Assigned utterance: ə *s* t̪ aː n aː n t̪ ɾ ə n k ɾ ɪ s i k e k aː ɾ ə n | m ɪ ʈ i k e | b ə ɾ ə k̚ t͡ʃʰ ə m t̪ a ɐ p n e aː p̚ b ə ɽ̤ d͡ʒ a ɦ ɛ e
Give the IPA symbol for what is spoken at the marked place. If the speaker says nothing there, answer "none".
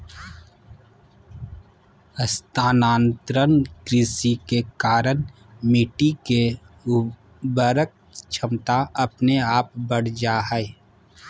s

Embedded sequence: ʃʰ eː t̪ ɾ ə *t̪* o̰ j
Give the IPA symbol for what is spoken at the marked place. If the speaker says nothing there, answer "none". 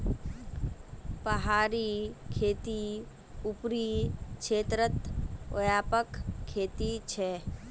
t̪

